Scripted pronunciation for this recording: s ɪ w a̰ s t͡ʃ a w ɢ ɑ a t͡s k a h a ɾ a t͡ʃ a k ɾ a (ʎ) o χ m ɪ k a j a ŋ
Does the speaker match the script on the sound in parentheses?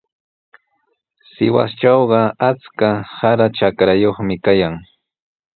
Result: no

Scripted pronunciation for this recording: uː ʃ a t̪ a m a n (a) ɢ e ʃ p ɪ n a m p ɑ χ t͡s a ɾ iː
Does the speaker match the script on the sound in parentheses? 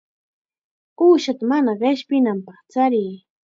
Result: yes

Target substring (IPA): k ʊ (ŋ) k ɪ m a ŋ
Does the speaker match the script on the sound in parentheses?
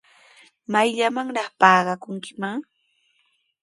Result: yes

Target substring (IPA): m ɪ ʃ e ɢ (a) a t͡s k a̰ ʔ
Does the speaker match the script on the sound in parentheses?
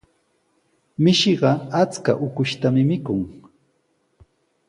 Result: no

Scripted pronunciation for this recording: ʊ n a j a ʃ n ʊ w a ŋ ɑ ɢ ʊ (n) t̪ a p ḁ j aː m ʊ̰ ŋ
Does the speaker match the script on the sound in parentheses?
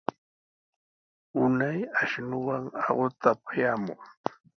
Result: no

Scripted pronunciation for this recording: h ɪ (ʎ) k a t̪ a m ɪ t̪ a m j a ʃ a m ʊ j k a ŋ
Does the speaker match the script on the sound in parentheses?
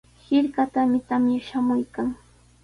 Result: no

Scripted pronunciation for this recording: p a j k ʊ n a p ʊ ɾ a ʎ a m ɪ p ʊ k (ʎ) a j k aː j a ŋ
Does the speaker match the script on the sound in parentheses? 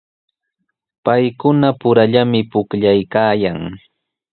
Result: yes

